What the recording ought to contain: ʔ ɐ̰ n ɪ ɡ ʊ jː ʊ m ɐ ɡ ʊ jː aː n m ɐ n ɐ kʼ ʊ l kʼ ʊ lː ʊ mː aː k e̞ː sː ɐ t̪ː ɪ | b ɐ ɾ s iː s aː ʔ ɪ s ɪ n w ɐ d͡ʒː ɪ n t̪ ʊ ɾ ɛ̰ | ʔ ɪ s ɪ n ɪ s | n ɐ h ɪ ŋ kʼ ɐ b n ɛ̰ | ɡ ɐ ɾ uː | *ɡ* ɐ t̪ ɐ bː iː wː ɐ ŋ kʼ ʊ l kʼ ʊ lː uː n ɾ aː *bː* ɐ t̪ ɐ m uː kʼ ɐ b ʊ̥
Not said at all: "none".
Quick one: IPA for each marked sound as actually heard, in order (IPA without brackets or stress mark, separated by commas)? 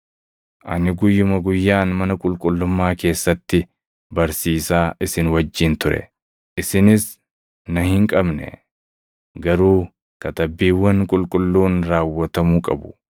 k, wː